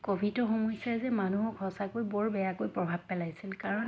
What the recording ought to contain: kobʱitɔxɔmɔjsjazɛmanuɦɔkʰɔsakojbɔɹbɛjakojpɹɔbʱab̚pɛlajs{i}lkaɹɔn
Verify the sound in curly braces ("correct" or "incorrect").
correct